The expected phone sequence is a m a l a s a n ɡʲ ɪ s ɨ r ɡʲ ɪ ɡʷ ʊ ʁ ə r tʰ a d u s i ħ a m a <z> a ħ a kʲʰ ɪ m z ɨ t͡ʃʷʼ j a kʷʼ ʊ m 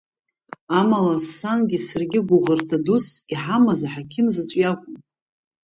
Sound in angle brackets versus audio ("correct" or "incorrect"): correct